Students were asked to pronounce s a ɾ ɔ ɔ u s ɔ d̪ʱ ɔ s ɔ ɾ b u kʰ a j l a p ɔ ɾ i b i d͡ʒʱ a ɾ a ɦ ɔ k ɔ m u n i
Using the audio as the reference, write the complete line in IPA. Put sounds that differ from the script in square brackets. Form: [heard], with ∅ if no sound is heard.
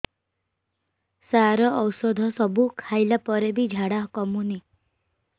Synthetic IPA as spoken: s a ɾ ɔ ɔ [w] s ɔ d̪ʱ ɔ s ɔ [∅] b u kʰ a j l a p ɔ ɾ [e] b i d͡ʒʱ a [ɽ] a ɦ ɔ k ɔ m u n i